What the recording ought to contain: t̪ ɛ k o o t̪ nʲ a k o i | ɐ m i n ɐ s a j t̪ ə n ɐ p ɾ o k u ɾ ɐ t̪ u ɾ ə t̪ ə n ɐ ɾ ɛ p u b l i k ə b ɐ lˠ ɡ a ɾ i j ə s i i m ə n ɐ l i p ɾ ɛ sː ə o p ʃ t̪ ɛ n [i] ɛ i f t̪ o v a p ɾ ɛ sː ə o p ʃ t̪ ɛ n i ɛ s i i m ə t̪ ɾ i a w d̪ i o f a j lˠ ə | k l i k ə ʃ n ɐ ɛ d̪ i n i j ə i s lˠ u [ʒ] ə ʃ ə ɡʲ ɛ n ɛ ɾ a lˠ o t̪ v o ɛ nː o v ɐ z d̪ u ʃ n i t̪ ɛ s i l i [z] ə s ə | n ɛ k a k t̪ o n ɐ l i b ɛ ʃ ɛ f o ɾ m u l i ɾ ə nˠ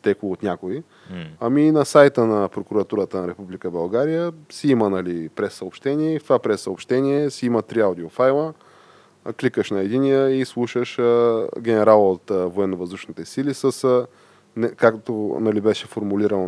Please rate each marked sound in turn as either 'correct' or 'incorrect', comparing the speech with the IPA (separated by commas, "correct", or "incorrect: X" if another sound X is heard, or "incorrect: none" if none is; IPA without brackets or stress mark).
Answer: correct, incorrect: ʃ, incorrect: s